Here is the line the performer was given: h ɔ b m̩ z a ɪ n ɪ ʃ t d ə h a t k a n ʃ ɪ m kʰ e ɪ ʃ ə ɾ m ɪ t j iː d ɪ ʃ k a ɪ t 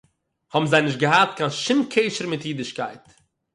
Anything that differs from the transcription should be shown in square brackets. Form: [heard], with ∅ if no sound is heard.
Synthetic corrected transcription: h ɔ b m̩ z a ɪ n ɪ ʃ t [ɡ] ə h a t k a n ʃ ɪ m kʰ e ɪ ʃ ə ɾ m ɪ t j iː d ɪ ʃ k a ɪ t